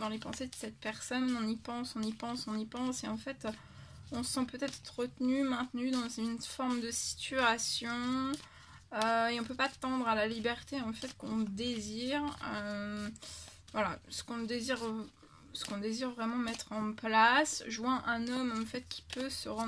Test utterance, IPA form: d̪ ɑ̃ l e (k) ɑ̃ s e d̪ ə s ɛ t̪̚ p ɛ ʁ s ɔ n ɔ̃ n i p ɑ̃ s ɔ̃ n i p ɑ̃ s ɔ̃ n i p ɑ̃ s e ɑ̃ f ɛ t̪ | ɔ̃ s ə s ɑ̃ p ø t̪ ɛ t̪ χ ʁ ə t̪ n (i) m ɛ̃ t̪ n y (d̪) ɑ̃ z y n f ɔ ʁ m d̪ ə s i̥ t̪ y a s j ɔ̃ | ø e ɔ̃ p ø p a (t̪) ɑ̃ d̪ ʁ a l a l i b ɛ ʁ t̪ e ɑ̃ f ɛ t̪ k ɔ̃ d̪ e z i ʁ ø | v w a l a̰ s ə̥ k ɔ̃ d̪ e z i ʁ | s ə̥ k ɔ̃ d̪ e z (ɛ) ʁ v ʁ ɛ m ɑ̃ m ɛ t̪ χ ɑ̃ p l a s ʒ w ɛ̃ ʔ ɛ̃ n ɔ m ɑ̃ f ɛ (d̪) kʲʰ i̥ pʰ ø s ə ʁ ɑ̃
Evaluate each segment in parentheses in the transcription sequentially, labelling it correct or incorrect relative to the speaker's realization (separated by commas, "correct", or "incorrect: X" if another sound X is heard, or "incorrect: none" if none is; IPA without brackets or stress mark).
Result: incorrect: p, incorrect: y, correct, correct, incorrect: i, incorrect: t̪